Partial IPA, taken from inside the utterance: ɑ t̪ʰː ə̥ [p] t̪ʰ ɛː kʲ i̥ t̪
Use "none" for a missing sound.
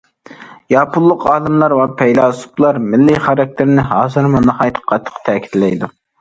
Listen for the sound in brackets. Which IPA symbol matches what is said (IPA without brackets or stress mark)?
q